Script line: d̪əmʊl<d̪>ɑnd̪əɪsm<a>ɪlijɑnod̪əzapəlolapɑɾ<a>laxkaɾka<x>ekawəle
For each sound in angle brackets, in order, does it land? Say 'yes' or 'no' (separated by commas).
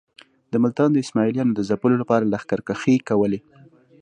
no, no, yes, yes